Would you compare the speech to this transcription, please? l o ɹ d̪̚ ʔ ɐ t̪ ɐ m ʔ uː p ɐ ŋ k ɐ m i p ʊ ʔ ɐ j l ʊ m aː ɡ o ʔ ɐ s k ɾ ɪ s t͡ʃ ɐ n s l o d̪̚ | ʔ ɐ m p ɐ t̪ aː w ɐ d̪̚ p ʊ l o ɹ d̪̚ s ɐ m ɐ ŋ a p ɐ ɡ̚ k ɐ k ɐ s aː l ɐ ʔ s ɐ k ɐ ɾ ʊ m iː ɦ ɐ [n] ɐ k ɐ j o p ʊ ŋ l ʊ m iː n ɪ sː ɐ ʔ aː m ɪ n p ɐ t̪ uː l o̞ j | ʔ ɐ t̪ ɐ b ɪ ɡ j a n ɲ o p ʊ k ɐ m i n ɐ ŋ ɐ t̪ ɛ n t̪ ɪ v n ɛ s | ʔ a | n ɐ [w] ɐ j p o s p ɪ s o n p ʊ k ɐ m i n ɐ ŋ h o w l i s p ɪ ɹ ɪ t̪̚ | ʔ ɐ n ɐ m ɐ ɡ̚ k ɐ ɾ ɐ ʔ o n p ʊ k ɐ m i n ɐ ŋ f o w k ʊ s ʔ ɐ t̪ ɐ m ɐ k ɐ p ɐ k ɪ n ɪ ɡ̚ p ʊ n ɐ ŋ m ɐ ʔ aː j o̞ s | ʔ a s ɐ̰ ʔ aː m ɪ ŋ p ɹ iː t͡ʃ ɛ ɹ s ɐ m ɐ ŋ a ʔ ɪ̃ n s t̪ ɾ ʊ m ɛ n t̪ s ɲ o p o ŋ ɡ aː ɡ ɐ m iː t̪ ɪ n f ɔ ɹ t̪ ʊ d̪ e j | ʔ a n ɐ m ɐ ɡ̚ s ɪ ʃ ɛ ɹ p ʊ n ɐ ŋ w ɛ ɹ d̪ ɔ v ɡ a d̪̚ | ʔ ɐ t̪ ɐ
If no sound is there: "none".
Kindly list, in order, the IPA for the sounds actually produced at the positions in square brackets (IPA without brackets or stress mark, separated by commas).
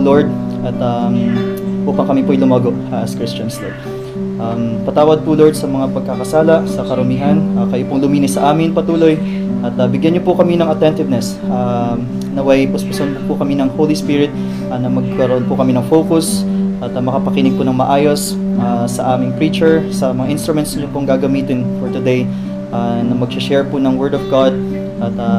n, w